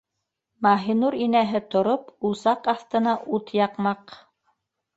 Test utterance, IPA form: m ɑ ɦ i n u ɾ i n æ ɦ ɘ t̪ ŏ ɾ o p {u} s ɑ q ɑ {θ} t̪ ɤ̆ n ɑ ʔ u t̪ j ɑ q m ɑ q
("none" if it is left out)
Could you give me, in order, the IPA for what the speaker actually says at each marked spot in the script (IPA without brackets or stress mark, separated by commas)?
u, θ